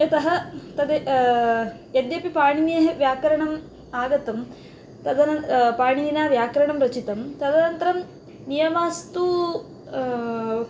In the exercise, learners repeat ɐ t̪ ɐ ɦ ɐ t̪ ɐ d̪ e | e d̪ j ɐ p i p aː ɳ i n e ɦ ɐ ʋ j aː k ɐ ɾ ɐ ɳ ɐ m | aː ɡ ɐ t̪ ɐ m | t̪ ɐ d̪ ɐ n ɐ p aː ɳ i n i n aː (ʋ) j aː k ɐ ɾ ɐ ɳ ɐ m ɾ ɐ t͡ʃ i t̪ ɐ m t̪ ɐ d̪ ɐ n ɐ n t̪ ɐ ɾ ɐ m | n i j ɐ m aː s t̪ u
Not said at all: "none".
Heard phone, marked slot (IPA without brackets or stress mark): ʋ